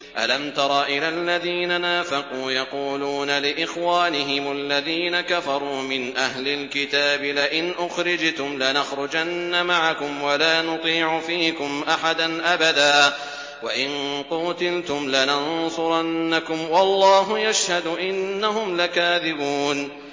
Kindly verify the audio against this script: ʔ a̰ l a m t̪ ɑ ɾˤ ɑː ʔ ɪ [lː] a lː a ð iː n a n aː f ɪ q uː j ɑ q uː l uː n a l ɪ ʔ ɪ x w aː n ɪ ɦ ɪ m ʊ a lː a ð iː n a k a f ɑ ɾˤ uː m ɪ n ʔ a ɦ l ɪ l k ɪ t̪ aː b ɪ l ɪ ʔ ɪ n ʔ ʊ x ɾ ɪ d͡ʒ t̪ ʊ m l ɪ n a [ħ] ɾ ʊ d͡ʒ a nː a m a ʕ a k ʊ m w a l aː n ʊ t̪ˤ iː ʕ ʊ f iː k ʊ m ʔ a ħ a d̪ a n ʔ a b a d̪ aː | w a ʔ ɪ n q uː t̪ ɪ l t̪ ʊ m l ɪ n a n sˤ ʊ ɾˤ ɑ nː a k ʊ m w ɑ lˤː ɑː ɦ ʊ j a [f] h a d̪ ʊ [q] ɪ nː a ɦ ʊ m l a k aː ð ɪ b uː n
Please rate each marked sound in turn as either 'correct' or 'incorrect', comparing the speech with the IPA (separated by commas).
incorrect, incorrect, incorrect, incorrect